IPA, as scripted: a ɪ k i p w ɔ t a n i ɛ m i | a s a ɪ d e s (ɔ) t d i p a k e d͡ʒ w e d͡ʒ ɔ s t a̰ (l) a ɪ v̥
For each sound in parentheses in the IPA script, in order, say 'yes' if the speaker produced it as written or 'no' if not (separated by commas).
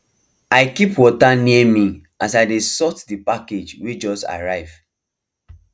yes, no